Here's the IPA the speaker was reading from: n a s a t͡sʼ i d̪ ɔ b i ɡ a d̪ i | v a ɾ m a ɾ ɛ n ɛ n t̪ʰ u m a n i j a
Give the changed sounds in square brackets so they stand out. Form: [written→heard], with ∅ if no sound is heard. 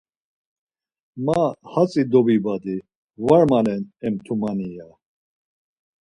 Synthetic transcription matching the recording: [n→m] a [s→h] a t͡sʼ i d̪ ɔ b i [ɡ→b] a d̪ i | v a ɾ m a [ɾ→l] ɛ n ɛ [n→m] t̪ʰ u m a n i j a